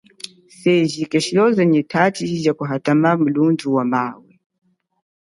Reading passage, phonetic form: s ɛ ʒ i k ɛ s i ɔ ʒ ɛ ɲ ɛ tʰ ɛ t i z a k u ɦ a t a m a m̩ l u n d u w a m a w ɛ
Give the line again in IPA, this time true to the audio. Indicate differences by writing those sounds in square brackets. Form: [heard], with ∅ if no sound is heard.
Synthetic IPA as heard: s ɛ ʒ i k ɛ [ʃ] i ɔ [z] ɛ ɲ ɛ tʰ [a] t i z a k u ɦ a t a m a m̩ l u n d u w a m a w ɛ